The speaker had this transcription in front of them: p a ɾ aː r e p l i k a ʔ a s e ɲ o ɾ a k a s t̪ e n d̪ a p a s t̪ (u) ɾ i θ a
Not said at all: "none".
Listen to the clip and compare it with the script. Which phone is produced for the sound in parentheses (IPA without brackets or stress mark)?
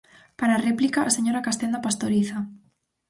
o